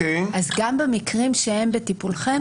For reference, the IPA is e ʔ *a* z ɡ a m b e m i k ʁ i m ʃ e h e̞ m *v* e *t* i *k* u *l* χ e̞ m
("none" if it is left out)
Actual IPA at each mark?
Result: a, b, t, p, l

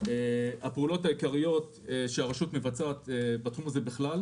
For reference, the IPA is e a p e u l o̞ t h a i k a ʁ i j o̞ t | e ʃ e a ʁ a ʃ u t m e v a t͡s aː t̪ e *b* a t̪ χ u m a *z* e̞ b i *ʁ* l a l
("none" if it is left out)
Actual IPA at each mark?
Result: b, z, χ

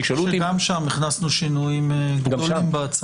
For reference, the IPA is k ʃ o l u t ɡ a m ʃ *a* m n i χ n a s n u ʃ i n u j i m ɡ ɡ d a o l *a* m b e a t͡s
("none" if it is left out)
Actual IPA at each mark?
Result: a, i

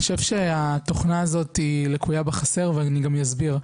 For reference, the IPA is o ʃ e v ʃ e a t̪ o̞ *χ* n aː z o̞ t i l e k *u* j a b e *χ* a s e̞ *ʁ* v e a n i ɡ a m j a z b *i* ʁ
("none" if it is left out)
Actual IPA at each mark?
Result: χ, u, χ, ʁ, i

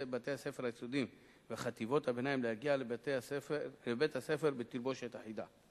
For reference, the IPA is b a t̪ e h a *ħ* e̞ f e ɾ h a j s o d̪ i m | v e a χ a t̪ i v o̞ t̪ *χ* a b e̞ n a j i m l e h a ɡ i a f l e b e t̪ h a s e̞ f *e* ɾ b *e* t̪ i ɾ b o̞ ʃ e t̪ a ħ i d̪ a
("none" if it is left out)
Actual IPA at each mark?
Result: s, h, e, e

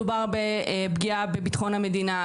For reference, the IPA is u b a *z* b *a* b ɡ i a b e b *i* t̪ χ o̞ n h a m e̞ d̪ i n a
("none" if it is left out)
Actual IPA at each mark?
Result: ʁ, e, i

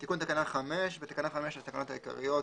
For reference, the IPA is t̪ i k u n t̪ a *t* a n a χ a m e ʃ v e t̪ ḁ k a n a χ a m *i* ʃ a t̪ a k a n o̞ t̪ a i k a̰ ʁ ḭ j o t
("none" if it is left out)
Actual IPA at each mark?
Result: k, e

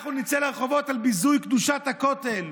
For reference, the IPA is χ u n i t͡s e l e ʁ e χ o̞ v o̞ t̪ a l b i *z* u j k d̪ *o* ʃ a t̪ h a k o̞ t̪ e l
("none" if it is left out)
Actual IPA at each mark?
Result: z, u

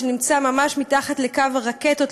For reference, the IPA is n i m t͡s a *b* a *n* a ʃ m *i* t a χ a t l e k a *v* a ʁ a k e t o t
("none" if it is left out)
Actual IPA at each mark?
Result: m, m, i, v

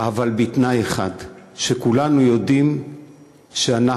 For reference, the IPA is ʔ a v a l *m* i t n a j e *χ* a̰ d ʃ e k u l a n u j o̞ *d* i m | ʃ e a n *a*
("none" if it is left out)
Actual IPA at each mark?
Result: b, χ, d, a

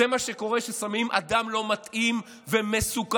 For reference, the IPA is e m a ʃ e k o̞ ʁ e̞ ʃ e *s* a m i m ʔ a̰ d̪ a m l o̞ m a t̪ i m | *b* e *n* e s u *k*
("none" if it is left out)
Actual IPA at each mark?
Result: s, v, m, k

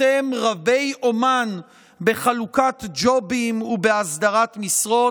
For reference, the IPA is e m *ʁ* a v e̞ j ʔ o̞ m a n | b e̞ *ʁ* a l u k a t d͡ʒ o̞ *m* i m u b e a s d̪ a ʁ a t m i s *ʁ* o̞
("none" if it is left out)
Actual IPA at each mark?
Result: ʁ, χ, b, ʁ

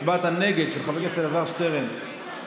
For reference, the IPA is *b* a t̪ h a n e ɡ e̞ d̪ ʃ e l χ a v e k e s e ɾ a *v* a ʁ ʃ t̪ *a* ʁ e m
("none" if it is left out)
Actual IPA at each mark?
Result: b, v, e

